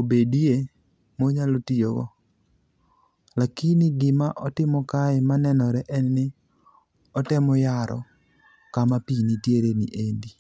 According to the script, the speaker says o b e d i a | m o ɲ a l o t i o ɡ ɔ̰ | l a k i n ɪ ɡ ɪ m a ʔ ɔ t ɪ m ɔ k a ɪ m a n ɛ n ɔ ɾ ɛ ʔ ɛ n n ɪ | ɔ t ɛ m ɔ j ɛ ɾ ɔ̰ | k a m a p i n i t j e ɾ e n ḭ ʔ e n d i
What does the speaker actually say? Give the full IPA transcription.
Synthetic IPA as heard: o b e d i e | m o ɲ a l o t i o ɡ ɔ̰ | l a k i n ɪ ɡ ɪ m a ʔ ɔ t ɪ m ɔ k a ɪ m a n ɛ n ɔ ɾ ɛ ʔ ɛ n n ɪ | ɔ t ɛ m ɔ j a ɾ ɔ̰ | k a m a p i n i t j e ɾ e n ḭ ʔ e n d i

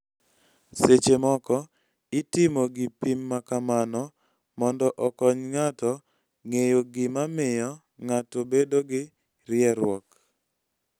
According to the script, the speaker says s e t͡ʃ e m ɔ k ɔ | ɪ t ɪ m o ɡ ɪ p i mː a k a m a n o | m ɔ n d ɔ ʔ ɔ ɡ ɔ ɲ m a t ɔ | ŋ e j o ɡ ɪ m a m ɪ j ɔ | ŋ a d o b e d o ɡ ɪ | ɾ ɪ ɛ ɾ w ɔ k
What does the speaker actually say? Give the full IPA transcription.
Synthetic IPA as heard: s e t͡ʃ e m ɔ k ɔ | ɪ t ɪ m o ɡ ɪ p i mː a k a m a n ɔ | m ɔ n d ɔ ʔ ɔ k ɔ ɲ ŋ a t ɔ | ŋ e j o ɡ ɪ m a m ɪ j ɔ | ŋ a t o b e d o ɡ ɪ | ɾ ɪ ɛ ɾ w ɔ k

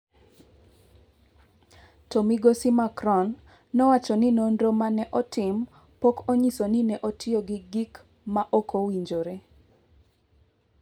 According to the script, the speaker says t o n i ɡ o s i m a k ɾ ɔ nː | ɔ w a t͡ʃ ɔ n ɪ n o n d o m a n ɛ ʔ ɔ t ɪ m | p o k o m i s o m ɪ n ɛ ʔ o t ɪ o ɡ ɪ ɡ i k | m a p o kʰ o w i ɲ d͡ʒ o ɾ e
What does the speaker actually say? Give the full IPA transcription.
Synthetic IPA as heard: t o m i ɡ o s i m a k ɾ ɔ nː | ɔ w a t͡ʃ ɔ n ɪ n o n d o m a n ɛ ʔ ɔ t ɪ m | p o k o ɲ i s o n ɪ n ɛ ʔ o t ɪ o ɡ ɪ ɡ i k | m a ʔ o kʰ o w i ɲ d͡ʒ o ɾ e

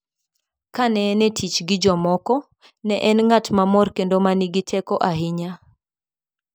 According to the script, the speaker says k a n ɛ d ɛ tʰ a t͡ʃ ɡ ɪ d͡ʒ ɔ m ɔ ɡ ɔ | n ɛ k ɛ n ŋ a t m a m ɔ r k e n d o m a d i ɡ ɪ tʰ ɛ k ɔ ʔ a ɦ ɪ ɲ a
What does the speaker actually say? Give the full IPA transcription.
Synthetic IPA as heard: k a n ɛ n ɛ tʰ i t͡ʃ ɡ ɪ d͡ʒ ɔ m ɔ k ɔ | n ɛ ʔ ɛ n ŋ a t m a m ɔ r k e n d o m a n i ɡ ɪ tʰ ɛ k ɔ ʔ a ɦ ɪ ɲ a

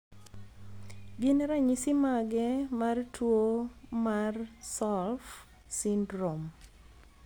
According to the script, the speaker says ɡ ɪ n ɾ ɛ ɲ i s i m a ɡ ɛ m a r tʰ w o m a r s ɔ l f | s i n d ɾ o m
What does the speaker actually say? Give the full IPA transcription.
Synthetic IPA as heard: ɡ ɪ n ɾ a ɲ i s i m a ɡ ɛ m a r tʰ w o m a r s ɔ l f | s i n d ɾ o m

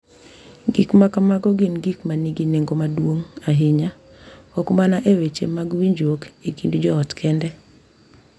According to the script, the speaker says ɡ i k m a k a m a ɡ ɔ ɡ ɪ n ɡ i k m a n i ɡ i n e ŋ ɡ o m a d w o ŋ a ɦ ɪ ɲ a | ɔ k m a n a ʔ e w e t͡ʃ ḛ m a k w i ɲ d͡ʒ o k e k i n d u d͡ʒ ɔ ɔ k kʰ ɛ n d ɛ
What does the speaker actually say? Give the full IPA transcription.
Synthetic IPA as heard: ɡ i k m a k a m a ɡ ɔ ɡ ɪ n ɡ i k m a n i ɡ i n e ŋ ɡ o m a d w o ŋ a ɦ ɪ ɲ a | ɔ k m a n a ʔ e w e t͡ʃ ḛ m a ɡ w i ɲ d͡ʒ o k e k i n d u d͡ʒ ɔ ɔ t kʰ ɛ n d ɛ

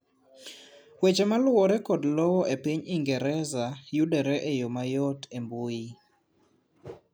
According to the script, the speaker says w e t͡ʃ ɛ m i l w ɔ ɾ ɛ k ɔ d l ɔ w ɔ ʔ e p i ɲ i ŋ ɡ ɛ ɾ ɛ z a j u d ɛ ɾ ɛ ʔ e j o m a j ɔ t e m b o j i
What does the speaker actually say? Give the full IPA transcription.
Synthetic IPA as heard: w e t͡ʃ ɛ m a l w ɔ ɾ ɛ k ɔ d l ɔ w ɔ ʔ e p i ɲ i ŋ ɡ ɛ ɾ ɛ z a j u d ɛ ɾ ɛ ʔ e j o m a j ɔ t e m b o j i

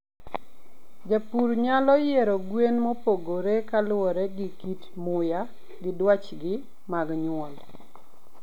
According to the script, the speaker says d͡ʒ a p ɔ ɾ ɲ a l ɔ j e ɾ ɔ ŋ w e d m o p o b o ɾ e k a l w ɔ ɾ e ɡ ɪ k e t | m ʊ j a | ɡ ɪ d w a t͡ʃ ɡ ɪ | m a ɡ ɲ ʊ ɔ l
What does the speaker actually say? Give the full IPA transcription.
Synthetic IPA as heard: d͡ʒ a p u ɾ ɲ a l ɔ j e ɾ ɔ ɡ w e n m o p o ɡ o ɾ e k a l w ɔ ɾ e ɡ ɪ k i t | m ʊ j a | ɡ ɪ d w a t͡ʃ ɡ ɪ | m a ɡ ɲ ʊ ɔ l

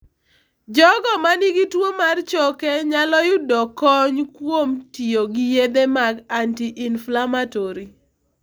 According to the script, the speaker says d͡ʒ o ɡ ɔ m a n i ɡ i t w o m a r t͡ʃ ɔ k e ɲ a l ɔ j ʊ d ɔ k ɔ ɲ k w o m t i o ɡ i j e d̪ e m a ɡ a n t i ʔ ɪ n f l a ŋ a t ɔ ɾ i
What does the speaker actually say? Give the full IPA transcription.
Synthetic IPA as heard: d͡ʒ ɔ ɡ ɔ m a n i ɡ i t w o m a r t͡ʃ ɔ k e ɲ a l ɔ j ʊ d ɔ k ɔ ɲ k w o m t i o ɡ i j e d̪ e m a ɡ a n t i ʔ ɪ n f l a m a t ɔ ɾ i

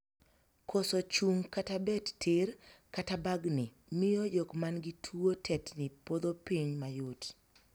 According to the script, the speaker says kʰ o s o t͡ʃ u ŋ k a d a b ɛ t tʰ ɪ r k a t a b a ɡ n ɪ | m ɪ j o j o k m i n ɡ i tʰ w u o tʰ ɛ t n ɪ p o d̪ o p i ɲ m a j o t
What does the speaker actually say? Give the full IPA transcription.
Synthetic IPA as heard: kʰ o s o t͡ʃ u ŋ k a t a b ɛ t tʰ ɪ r k a t a b a ɡ n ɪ | m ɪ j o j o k m a n ɡ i tʰ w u o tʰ ɛ t n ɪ p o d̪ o p i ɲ m a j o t

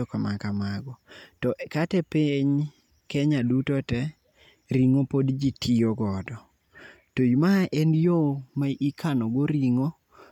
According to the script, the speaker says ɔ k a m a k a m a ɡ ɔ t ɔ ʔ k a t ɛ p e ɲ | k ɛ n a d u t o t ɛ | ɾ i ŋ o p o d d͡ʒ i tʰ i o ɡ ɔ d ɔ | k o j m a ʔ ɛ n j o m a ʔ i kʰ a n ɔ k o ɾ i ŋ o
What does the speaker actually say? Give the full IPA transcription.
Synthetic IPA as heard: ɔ k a m a k a m a ɡ ɔ t ɔ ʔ k a t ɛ p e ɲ | k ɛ ɲ a d u t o t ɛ | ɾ i ŋ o p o d d͡ʒ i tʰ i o ɡ ɔ d ɔ | t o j m a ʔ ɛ n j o m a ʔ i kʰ a n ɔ ɡ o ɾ i ŋ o

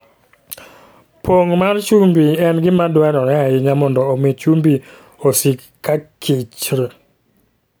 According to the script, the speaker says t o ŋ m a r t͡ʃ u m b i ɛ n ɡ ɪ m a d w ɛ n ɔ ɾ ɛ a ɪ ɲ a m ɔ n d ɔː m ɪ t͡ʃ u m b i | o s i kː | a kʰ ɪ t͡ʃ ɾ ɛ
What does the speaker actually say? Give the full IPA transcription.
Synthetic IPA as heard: p o ŋ m a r t͡ʃ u m b i ɛ n ɡ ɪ m a d w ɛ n ɔ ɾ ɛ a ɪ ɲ a m ɔ n d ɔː m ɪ t͡ʃ u m b i | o s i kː | a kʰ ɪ t͡ʃ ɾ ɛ

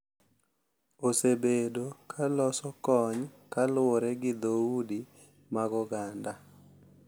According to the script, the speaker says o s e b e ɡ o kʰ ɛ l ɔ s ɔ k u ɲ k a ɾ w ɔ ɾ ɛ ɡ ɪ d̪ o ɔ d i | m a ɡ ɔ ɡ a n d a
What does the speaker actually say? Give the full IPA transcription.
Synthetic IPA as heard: o s e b e d o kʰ a l ɔ s ɔ k ɔ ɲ k a l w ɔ ɾ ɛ ɡ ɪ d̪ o u d i | m a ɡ ɔ ɡ a n d a

